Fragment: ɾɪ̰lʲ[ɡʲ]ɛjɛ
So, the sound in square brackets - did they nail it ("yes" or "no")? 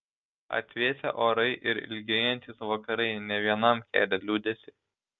yes